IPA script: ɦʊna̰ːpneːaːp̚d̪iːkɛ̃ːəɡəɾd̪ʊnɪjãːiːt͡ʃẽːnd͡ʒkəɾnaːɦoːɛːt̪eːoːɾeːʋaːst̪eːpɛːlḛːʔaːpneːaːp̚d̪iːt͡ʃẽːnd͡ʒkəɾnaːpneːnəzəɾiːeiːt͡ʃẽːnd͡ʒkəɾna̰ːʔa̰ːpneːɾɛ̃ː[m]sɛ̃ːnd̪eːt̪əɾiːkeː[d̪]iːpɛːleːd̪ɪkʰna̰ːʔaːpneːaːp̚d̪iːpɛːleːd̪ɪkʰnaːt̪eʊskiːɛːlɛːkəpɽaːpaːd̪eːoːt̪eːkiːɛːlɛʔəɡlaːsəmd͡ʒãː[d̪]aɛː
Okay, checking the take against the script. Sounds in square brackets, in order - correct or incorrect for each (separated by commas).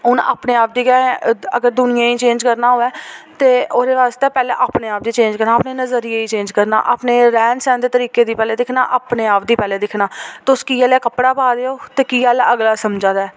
incorrect, correct, correct